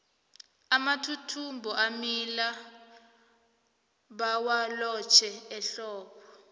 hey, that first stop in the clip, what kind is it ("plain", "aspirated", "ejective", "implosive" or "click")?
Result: aspirated